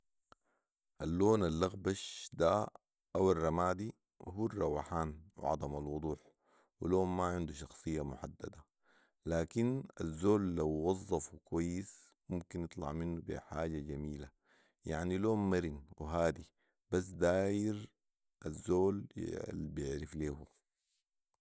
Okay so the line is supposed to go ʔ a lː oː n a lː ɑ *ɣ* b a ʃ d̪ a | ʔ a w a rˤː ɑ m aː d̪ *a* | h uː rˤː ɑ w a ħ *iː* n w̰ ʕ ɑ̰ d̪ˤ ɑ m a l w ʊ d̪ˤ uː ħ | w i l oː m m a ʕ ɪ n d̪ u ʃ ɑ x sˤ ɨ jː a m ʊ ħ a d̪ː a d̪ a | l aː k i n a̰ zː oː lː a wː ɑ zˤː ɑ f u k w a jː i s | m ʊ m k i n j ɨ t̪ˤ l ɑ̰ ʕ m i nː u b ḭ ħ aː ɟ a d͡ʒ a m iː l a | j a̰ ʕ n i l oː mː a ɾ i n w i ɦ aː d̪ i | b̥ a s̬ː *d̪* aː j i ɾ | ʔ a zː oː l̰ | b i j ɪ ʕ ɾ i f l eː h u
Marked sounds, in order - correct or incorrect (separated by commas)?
correct, incorrect, incorrect, correct